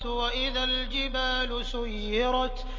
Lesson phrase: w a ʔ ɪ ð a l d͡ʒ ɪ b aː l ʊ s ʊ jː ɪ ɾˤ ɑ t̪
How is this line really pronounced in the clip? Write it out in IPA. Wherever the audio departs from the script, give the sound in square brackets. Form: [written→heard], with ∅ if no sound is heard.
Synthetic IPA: w a ʔ ɪ ð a l d͡ʒ ɪ b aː l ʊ s ʊ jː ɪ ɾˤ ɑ t̪